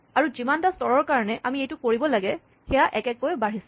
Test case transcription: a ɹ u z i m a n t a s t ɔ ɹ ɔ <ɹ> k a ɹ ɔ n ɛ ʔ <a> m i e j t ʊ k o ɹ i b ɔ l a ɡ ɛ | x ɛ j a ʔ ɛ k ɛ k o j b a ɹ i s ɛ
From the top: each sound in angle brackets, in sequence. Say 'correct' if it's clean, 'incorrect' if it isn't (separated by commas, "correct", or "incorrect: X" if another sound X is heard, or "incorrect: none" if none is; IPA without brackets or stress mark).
correct, correct